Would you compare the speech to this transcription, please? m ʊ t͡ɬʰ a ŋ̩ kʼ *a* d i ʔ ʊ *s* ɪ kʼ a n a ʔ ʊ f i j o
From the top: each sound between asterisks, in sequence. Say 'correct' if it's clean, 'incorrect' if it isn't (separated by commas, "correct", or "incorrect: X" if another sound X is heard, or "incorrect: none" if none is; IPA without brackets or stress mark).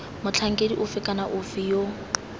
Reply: incorrect: e, incorrect: f